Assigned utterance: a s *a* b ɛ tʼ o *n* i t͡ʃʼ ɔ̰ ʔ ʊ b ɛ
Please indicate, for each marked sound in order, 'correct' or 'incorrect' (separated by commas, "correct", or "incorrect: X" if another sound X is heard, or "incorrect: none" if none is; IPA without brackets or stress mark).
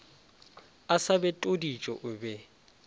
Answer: correct, incorrect: d